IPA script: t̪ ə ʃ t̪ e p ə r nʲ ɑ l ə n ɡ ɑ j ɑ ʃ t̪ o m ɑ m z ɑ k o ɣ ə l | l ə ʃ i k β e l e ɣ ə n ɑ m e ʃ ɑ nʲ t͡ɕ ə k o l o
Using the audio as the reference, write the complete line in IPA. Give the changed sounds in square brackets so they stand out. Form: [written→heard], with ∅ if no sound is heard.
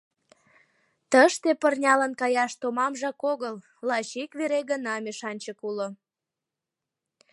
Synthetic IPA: t̪ ə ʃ t̪ e p ə r nʲ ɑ l ə n [ɡ→k] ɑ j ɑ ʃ t̪ o m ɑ m [z→ʒ] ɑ k o ɣ ə l | l [ə→ɑ] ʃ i k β e [l→ɾ] e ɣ ə n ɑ m e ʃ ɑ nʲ t͡ɕ ə k [o→u] l o